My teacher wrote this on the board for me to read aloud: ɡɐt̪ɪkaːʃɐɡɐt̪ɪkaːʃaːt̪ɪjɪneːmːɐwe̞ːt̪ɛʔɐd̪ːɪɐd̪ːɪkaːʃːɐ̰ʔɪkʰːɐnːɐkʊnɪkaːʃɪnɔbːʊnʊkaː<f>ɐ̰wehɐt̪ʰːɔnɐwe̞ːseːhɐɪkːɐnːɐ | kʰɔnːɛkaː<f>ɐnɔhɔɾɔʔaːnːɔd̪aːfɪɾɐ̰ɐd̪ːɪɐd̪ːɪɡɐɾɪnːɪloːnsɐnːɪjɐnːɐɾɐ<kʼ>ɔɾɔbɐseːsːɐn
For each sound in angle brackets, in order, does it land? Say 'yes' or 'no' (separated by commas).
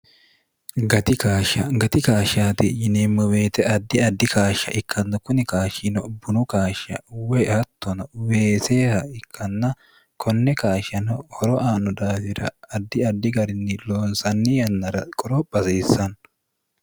no, no, yes